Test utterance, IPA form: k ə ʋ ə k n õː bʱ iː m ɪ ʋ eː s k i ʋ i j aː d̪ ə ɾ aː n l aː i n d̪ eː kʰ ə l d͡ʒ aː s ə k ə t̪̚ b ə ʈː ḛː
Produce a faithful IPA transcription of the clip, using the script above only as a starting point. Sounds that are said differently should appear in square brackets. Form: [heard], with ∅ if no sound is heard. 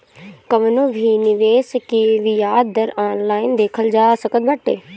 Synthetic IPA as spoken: k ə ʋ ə [∅] n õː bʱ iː [n] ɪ ʋ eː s k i ʋ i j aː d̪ ə ɾ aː n l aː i n d̪ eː kʰ ə l d͡ʒ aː s ə k ə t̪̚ b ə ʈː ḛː